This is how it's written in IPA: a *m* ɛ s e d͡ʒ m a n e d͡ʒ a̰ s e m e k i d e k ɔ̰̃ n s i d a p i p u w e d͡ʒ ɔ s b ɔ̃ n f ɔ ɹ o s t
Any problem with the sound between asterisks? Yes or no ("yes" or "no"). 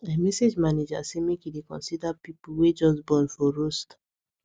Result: no